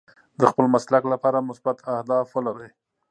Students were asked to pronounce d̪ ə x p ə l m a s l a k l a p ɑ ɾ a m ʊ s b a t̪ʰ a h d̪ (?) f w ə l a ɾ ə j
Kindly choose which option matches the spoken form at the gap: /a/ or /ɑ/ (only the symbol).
ɑ